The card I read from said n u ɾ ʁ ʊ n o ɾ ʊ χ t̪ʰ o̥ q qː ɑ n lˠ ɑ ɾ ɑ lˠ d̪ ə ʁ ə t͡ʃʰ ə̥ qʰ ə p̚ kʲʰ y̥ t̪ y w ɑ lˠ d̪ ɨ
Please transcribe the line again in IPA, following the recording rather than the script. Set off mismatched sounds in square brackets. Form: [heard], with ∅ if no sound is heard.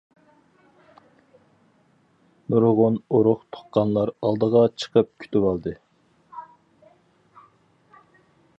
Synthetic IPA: n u ɾ ʁ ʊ n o ɾ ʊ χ t̪ʰ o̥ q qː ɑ n lˠ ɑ ɾ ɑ lˠ d̪ ə ʁ [ɑ] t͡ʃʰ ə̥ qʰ ə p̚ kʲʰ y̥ t̪ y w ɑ lˠ d̪ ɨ

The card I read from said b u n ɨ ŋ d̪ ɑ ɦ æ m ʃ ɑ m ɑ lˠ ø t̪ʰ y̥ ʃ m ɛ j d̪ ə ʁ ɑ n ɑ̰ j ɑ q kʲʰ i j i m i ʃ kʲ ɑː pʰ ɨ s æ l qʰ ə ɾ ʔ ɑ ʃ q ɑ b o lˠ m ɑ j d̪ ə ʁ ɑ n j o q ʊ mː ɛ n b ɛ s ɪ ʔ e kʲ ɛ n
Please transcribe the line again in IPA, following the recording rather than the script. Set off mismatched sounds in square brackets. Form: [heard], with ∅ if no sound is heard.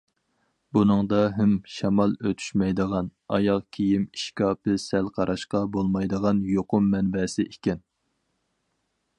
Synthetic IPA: b u n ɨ ŋ d̪ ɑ ɦ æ m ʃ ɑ m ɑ lˠ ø t̪ʰ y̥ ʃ m ɛ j d̪ ə ʁ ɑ n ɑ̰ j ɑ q kʲʰ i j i m i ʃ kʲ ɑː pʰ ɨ s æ l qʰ [ɑ] ɾ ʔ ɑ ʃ q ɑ b o lˠ m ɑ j d̪ ə ʁ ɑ n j o q ʊ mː ɛ n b ɛ s ɪ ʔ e kʲ ɛ n

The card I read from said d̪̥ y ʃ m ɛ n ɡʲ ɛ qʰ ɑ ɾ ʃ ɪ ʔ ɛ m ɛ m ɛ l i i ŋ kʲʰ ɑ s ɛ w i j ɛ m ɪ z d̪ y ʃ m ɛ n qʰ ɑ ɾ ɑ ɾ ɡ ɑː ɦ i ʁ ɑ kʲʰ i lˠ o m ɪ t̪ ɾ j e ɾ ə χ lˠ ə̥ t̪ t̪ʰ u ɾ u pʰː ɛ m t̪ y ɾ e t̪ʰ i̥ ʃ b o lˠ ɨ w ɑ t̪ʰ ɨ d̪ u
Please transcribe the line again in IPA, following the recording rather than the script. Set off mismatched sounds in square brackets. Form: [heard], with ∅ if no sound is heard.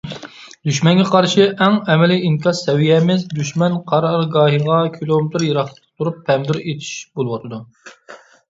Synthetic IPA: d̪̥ y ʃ m ɛ n ɡʲ ɛ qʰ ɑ ɾ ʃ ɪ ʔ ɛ [ŋ] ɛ m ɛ l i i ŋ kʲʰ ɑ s ɛ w i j ɛ m ɪ z d̪ y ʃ m ɛ n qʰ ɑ ɾ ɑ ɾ ɡ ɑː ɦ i ʁ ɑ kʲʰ i lˠ o m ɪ t̪ ɾ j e ɾ [ɑ] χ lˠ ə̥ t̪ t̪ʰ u ɾ u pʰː ɛ m [d̪] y ɾ e t̪ʰ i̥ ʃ b o lˠ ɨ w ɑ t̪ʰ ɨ d̪ u

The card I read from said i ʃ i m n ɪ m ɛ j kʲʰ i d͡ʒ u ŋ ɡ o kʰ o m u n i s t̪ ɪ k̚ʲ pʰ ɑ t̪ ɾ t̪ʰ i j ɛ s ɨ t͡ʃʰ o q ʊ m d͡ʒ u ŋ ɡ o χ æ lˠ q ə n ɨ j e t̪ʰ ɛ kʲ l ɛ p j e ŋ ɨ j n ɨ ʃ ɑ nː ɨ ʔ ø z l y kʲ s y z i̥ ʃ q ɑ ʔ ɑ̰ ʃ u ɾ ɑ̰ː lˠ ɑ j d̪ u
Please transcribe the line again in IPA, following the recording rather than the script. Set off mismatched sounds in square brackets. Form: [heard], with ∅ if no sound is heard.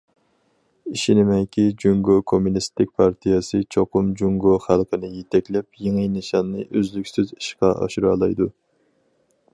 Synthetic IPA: i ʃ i [∅] n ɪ m ɛ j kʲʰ i d͡ʒ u ŋ ɡ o kʰ o m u n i s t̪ ɪ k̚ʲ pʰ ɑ [∅] ɾ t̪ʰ i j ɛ s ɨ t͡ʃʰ o q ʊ m d͡ʒ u ŋ ɡ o χ æ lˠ q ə n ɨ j e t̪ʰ ɛ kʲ l ɛ p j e ŋ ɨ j n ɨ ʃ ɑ nː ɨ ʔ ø z l y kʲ s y z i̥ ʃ q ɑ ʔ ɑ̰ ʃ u ɾ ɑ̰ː lˠ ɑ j d̪ u

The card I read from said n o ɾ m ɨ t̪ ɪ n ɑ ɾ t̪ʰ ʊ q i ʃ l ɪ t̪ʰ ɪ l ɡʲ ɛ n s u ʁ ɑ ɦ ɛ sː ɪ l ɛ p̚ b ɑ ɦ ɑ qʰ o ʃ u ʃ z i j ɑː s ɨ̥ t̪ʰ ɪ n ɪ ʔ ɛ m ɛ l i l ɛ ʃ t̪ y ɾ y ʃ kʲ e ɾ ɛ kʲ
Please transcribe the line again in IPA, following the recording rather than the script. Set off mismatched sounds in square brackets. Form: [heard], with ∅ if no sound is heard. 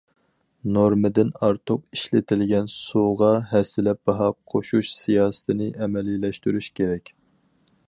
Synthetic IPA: n o ɾ m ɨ [d̪] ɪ n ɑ ɾ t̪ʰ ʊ q i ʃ l ɪ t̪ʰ ɪ l ɡʲ ɛ n s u ʁ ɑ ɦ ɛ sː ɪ l ɛ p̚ b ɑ ɦ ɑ qʰ o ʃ u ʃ [s] i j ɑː s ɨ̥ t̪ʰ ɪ n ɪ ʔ ɛ m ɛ l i l ɛ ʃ t̪ y ɾ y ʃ kʲ e ɾ ɛ kʲ

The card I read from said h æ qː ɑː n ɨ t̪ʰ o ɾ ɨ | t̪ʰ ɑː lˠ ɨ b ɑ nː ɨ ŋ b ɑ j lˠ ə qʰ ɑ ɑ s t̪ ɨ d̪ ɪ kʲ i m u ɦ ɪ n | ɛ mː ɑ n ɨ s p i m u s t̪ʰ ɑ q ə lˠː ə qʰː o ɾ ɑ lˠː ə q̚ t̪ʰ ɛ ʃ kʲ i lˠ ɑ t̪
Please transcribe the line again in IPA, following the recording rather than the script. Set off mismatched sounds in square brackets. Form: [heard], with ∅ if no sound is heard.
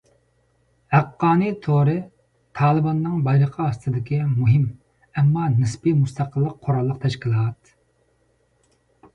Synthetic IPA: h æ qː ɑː n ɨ t̪ʰ o ɾ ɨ | t̪ʰ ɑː lˠ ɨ b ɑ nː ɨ ŋ b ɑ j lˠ ə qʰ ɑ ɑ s t̪ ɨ d̪ ɪ kʲ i m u ɦ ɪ [m] | ɛ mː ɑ n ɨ s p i m u s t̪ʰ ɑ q ə lˠː ə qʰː o ɾ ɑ lˠː ə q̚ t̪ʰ ɛ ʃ kʲ i lˠ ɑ t̪

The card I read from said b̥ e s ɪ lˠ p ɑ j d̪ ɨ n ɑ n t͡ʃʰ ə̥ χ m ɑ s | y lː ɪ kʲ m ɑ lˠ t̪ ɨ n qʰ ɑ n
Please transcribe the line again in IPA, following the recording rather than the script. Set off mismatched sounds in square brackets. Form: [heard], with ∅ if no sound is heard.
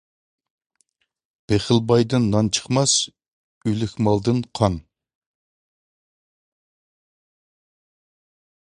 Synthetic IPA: b̥ e [χ] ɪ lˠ [b] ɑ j d̪ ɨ [nː] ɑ n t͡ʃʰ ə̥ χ m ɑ s | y [l] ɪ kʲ m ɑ lˠ [d̪] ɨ n qʰ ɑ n

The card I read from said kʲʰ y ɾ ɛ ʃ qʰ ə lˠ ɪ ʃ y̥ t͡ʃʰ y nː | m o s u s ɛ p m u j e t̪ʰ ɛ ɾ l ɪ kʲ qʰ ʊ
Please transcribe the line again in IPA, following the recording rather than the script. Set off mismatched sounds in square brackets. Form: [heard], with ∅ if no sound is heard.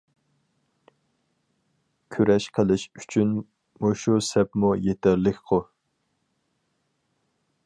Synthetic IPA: kʲʰ y ɾ ɛ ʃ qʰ ə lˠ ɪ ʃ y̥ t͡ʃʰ y [n] | m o [ʃ] u s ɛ p m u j e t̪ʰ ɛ ɾ l ɪ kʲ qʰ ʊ

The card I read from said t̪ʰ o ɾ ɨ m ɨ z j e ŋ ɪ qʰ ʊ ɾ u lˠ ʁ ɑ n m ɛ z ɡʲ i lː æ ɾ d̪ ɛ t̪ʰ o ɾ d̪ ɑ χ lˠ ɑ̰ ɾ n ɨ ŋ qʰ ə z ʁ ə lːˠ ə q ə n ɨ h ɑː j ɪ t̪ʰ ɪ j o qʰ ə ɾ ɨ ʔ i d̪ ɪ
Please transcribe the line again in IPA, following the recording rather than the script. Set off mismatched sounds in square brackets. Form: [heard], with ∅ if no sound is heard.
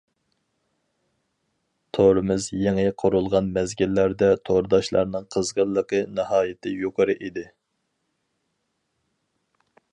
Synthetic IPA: t̪ʰ o ɾ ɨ m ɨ z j e ŋ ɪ qʰ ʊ ɾ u lˠ ʁ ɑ n m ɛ z ɡʲ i lː æ ɾ d̪ ɛ t̪ʰ o ɾ d̪ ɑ [ʃ] lˠ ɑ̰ ɾ n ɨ ŋ qʰ ə z ʁ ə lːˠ ə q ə n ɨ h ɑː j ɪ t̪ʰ ɪ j o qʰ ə ɾ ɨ ʔ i d̪ ɪ

